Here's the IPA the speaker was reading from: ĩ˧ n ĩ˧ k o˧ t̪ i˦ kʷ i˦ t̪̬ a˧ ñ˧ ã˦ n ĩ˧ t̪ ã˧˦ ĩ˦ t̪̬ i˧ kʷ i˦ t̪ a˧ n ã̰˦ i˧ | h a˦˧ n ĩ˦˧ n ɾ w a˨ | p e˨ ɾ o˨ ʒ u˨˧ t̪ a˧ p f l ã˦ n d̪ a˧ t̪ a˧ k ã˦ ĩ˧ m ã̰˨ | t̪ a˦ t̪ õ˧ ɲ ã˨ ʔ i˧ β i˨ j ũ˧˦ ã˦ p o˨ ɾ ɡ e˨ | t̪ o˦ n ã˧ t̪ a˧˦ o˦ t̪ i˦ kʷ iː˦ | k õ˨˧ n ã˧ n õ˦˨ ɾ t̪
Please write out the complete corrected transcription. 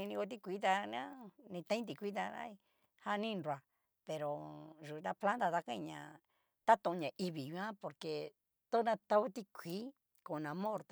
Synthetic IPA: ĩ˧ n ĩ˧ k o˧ t̪ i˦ kʷ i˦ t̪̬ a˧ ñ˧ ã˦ n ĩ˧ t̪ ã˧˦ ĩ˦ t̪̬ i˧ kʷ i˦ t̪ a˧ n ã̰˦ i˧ | h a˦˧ n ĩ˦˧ n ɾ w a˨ | p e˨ ɾ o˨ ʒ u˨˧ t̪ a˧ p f l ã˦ n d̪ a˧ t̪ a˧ k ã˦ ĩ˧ ɲ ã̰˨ | t̪ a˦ t̪ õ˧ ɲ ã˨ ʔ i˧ β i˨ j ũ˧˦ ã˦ p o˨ ɾ k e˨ | t̪ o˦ n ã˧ t̪ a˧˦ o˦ t̪ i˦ kʷ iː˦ | k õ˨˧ n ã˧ m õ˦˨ ɾ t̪